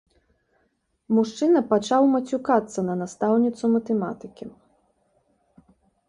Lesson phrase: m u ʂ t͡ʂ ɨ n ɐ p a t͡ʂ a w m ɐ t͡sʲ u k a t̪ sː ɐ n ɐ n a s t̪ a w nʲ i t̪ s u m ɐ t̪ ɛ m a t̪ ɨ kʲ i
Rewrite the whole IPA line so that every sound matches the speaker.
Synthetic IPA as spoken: m u ʂ t͡ʂ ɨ n ɐ p a t͡ʂ a w m ɐ t͡sʲ u k a t̪ sː ɐ n ɐ n a s t̪ a w nʲ i t̪ s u m ɐ t̪ ɛ m a t̪ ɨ kʲ i